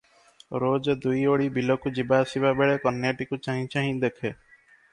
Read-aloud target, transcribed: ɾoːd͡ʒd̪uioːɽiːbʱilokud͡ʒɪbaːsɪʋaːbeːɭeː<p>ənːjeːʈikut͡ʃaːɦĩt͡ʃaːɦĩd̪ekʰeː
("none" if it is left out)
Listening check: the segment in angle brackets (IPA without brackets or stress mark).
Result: k